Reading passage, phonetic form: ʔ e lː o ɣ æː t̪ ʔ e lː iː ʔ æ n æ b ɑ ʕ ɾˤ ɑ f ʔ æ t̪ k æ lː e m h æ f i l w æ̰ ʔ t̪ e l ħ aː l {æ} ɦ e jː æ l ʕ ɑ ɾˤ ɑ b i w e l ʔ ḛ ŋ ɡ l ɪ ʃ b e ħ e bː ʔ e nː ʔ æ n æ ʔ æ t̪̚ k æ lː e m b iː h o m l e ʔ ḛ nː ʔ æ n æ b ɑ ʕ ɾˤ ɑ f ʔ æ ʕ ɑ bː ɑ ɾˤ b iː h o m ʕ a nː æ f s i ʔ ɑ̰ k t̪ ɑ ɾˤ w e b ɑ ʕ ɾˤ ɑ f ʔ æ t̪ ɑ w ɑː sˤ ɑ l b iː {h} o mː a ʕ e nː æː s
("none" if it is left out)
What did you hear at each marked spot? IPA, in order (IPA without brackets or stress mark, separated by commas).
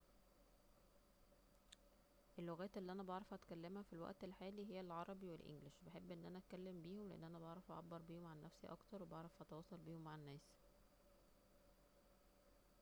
i, h